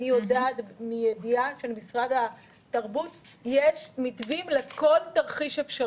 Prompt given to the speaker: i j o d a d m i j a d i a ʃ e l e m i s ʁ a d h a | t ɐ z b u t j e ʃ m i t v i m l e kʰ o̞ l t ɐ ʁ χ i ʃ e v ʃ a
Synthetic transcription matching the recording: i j o d a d m i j e d i a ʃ e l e m i s ʁ a d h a | t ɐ ʁ b u t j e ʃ m i t v i m l e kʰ o̞ l t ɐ ʁ χ i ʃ e f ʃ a